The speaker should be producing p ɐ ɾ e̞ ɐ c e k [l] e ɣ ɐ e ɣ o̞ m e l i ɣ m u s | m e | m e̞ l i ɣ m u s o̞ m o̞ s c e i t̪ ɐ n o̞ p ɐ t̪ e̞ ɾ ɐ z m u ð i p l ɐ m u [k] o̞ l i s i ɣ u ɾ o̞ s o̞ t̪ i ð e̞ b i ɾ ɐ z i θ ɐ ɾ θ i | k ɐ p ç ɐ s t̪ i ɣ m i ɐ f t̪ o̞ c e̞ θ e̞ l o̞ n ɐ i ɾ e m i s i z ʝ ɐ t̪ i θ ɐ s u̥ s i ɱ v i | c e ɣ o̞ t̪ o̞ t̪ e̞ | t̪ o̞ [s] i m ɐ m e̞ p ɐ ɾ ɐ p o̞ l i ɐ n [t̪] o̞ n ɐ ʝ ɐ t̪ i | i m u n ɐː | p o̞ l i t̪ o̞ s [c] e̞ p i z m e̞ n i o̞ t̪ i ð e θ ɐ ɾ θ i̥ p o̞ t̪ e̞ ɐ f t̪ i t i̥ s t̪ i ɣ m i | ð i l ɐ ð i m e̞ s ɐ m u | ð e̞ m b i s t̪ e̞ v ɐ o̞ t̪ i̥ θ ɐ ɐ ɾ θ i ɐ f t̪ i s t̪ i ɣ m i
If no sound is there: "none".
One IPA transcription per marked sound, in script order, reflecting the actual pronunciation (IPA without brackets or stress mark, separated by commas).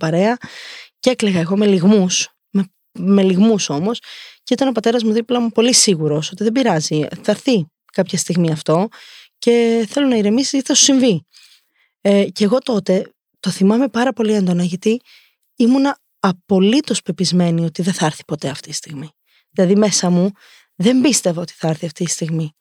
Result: l, p, θ, d̪, p